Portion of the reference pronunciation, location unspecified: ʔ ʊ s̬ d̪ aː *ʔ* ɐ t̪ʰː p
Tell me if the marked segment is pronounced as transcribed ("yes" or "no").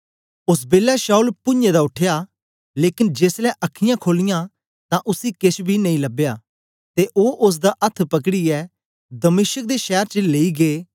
yes